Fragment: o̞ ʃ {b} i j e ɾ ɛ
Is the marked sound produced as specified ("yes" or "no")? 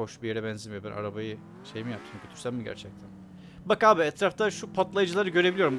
yes